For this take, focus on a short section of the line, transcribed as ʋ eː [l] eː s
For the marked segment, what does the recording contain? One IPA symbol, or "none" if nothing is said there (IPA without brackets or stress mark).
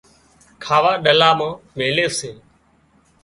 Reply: l